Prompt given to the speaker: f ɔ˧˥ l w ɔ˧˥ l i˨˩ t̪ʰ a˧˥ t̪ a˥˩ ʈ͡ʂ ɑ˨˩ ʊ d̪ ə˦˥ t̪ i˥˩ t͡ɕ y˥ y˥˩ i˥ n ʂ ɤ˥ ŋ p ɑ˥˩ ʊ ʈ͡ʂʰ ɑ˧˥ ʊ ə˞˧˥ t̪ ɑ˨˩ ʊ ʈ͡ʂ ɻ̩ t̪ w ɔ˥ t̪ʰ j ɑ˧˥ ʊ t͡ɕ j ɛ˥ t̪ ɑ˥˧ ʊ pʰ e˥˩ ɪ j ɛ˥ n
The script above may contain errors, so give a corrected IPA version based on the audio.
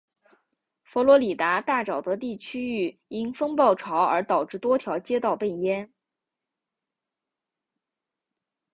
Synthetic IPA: f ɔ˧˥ l w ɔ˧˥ l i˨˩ t̪ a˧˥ t̪ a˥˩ ʈ͡ʂ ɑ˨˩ ʊ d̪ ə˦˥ t̪ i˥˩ t͡ɕʰ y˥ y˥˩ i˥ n f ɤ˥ ŋ p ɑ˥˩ ʊ ʈ͡ʂʰ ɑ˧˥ ʊ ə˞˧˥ t̪ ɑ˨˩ ʊ ʈ͡ʂ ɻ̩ t̪ w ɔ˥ t̪ʰ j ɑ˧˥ ʊ t͡ɕ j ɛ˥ t̪ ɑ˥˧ ʊ p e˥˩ ɪ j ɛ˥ n